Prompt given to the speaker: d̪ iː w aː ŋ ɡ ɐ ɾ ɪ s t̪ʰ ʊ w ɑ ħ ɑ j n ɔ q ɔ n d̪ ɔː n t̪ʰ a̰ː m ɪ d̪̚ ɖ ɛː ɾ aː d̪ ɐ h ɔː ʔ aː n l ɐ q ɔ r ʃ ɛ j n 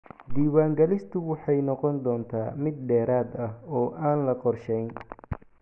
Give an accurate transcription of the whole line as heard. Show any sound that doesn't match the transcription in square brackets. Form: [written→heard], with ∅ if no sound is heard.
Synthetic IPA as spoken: d̪ iː w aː ŋ ɡ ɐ [ɾ→l] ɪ s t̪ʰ ʊ w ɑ ħ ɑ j n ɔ q ɔ n d̪ ɔː n t̪ʰ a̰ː m ɪ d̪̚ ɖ ɛː ɾ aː d̪ ɐ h ɔː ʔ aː n l ɐ q ɔ r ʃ ɛ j n